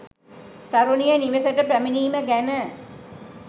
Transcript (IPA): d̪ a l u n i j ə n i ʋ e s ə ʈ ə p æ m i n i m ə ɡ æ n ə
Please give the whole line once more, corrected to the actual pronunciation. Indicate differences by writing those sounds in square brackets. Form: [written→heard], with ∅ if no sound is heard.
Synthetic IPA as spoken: [d̪→t̪] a [l→ɾ] u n i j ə n i ʋ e s ə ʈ ə p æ m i n [i→iː] m ə ɡ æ n ə